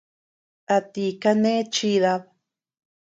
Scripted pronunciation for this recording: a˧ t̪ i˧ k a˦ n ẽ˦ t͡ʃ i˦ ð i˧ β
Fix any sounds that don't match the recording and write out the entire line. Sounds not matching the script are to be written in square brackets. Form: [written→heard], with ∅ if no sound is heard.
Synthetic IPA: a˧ t̪ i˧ k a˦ n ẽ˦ t͡ʃ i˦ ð [i˧→a˧] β